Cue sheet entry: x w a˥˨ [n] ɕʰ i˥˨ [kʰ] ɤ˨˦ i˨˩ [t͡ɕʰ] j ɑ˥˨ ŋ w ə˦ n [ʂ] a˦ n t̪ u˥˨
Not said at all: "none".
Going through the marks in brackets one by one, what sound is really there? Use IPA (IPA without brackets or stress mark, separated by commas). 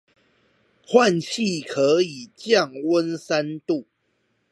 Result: n, kʰ, t͡ɕ, s